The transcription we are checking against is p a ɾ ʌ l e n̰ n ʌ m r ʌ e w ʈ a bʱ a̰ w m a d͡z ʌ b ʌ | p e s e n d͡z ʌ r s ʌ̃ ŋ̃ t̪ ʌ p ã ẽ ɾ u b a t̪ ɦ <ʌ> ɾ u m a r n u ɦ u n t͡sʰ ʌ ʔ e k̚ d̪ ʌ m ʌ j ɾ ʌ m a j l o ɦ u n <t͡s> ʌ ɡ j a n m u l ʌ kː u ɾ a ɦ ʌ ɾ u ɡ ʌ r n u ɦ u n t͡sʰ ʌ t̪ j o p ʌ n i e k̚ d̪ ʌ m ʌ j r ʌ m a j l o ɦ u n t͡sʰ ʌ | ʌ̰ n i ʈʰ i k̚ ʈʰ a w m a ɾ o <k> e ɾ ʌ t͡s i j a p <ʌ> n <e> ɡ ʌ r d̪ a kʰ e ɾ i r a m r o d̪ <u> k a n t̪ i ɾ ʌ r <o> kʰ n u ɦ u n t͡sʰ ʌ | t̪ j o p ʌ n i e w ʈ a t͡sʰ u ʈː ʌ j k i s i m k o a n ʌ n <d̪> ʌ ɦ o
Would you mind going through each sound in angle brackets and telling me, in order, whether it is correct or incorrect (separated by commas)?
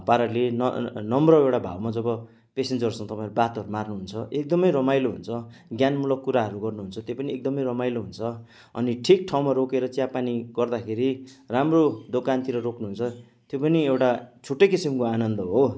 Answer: correct, incorrect, correct, incorrect, incorrect, incorrect, correct, correct